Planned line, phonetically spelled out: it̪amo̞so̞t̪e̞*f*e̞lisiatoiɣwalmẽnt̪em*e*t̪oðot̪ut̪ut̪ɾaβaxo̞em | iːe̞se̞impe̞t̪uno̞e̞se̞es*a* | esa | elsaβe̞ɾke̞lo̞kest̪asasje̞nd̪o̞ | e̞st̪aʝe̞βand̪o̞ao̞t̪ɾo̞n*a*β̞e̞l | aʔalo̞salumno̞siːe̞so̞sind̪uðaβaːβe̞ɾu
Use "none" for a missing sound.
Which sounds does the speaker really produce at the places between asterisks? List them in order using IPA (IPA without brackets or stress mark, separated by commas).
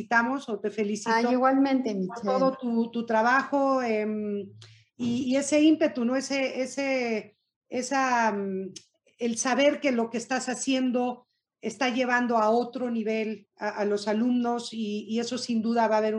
f, i, e, i